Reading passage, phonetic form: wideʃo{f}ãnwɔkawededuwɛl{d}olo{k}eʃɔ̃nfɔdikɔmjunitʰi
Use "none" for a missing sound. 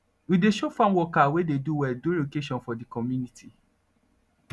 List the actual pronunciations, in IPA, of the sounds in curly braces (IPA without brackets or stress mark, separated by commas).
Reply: f, d, k